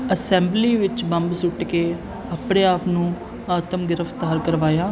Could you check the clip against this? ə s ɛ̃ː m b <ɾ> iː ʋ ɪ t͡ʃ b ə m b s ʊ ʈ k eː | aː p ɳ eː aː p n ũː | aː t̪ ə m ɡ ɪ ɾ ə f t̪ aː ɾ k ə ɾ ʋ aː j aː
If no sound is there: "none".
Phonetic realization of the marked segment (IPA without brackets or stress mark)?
l